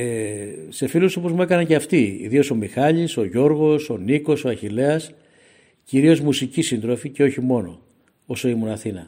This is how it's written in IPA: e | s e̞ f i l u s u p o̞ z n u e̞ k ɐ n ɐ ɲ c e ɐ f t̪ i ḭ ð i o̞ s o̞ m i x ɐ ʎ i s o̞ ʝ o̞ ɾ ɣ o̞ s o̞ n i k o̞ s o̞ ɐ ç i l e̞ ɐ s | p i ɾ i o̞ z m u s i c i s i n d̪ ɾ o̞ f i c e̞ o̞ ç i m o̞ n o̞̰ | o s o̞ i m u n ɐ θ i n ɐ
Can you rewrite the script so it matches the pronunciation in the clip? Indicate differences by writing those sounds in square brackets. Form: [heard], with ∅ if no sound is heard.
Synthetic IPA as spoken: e | s e̞ f i l u s [o] p o̞ z [m] u e̞ k ɐ n ɐ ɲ c e ɐ f t̪ i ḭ ð i o̞ s o̞ m i x ɐ ʎ i s o̞ ʝ o̞ ɾ ɣ o̞ s o̞ n i k o̞ s o̞ ɐ ç i l e̞ ɐ s | [c] i ɾ i o̞ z m u s i c i s i n d̪ ɾ o̞ f i c e̞ o̞ ç i m o̞ n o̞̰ | o s o̞ i m u n ɐ θ i n ɐ